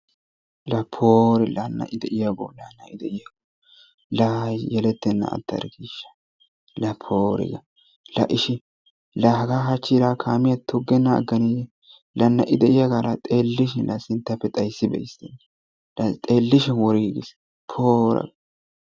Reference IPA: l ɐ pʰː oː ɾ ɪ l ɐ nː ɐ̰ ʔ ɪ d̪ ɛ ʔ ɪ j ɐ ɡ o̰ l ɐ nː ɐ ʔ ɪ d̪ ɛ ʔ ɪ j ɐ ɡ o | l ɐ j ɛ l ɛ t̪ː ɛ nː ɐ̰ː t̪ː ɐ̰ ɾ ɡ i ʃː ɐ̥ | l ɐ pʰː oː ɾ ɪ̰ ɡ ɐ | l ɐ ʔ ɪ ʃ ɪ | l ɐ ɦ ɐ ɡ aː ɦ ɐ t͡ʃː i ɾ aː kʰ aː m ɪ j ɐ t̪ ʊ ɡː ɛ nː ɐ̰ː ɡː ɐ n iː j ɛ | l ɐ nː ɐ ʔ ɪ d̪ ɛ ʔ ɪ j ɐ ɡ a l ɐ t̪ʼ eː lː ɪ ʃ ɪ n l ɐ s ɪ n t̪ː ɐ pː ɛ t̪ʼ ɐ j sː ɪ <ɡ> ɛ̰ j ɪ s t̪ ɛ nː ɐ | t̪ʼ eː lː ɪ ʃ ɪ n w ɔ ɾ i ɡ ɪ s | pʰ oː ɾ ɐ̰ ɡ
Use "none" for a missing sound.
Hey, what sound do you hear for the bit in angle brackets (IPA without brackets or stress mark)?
b